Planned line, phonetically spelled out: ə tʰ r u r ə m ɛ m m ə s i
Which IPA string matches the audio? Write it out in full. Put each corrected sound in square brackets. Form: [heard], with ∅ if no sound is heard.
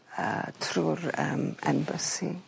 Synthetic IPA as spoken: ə tʰ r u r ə m ɛ m [b] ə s i